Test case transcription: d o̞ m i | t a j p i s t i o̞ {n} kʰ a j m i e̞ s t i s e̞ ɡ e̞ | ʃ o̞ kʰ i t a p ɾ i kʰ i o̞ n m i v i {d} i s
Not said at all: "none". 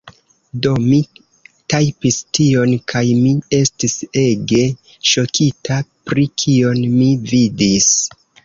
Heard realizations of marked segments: n, d

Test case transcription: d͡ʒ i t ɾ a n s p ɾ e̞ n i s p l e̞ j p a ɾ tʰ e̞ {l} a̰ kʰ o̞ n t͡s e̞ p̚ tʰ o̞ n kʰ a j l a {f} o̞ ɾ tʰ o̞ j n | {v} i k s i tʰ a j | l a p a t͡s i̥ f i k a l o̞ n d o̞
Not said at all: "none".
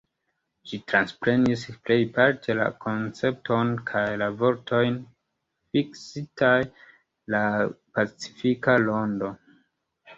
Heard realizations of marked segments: l, v, f

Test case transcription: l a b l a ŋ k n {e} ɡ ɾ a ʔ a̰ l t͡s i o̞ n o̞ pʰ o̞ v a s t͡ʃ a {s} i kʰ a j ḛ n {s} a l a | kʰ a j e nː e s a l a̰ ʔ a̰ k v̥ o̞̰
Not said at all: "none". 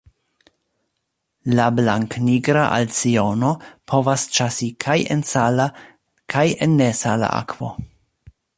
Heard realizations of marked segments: i, s, s

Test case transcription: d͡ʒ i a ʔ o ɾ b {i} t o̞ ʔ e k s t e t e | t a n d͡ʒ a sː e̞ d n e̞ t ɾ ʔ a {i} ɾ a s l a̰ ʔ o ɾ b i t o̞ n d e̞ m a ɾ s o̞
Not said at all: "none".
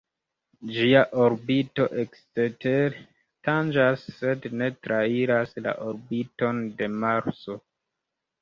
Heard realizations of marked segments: i, i

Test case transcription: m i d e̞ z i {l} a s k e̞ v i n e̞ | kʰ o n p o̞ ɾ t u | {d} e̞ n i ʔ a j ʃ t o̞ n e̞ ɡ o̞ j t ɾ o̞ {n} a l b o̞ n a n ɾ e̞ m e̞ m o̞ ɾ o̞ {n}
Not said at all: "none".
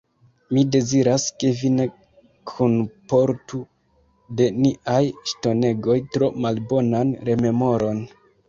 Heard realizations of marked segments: ɾ, d, m, n

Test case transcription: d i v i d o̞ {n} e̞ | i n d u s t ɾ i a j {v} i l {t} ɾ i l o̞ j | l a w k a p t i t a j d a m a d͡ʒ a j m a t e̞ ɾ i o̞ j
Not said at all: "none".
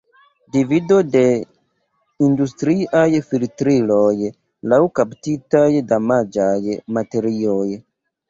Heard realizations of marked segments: d, f, t

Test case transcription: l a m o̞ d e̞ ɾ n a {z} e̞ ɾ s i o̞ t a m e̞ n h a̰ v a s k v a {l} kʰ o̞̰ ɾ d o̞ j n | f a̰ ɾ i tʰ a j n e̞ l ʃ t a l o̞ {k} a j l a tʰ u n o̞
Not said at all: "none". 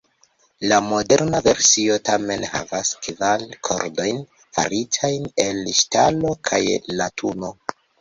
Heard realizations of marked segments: v, l, kʰ

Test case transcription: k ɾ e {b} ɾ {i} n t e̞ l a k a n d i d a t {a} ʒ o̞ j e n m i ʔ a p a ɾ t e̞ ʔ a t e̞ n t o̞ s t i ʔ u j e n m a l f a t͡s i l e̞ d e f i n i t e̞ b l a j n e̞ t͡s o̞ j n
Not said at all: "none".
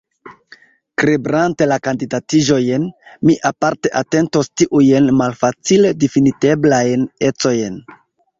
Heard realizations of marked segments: b, a, i

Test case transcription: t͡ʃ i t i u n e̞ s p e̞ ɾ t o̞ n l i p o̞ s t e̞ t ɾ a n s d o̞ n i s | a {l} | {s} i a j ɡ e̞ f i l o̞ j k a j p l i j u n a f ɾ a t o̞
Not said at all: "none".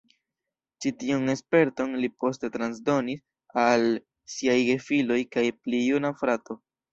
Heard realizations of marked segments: l, s

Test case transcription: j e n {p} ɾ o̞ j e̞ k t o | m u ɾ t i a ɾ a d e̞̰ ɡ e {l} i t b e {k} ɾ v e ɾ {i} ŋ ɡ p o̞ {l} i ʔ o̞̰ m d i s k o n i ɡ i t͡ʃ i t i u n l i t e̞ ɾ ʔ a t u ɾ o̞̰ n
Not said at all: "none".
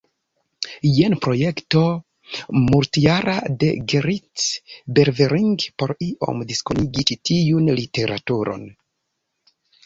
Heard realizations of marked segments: p, ɾ, none, i, ɾ

